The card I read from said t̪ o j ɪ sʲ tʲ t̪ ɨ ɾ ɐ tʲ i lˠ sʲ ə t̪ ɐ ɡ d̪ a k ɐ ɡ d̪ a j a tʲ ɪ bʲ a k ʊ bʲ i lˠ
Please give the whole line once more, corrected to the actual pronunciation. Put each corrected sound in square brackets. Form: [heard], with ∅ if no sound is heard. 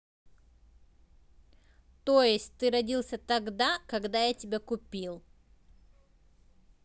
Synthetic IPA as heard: t̪ o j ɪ sʲ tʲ t̪ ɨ ɾ ɐ [dʲ] i lˠ sʲ ə t̪ ɐ ɡ d̪ a k ɐ ɡ d̪ a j a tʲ ɪ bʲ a k ʊ [pʲ] i lˠ